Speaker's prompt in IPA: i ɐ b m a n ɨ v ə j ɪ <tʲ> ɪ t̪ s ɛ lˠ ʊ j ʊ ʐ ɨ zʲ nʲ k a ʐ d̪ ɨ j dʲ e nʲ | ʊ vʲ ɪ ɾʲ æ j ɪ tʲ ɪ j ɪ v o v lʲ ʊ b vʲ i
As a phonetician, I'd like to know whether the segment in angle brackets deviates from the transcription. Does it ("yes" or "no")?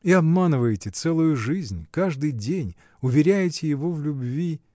no